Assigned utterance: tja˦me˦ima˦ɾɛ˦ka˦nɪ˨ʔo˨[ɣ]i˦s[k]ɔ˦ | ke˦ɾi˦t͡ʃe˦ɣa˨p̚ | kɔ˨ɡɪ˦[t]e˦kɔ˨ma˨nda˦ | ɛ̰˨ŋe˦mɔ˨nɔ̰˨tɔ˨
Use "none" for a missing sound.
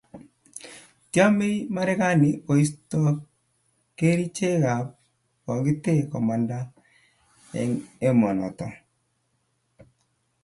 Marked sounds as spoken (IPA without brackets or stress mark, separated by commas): none, t, t